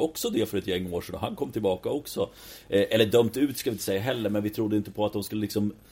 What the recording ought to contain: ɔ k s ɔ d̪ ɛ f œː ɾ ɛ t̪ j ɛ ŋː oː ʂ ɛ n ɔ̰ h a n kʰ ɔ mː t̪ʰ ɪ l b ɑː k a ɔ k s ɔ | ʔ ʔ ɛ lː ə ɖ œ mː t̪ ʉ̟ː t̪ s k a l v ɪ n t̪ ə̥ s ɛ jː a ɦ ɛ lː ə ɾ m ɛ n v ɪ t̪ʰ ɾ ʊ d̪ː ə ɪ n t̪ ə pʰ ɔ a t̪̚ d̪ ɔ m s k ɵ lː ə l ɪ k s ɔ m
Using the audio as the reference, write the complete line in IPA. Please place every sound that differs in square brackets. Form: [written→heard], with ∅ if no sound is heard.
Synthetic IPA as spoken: ɔ k s ɔ d̪ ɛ f [œː→œ] ɾ ɛ t̪ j ɛ ŋː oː ʂ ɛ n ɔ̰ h a n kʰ ɔ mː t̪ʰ ɪ l b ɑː k a ɔ k s ɔ | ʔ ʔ ɛ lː ə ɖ œ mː t̪ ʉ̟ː t̪ s k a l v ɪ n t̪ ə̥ s ɛ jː a ɦ ɛ lː ə ɾ m ɛ n v ɪ t̪ʰ ɾ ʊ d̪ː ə ɪ n t̪ ə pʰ ɔ a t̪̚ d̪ ɔ m s k ɵ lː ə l ɪ k s ɔ m